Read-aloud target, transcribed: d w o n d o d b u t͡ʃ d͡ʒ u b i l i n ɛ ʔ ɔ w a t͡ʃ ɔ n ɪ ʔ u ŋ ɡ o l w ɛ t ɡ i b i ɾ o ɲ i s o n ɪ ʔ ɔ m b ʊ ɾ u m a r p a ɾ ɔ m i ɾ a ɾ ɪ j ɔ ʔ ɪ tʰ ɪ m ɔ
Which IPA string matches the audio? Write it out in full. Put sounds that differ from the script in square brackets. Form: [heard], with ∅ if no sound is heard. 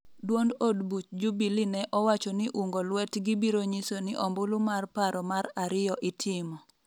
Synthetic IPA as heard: d w o n d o d b u t͡ʃ d͡ʒ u b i l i n ɛ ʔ ɔ w a t͡ʃ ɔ n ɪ ʔ u ŋ ɡ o l w ɛ t ɡ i b i ɾ o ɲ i s o n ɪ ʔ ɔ m b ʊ [l] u m a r p a ɾ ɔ m [a] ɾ a ɾ ɪ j ɔ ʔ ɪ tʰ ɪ m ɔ